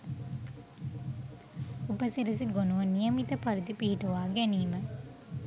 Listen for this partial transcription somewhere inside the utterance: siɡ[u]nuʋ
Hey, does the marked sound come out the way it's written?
no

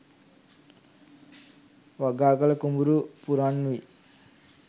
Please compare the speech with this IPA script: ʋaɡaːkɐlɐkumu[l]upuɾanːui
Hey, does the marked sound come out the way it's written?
no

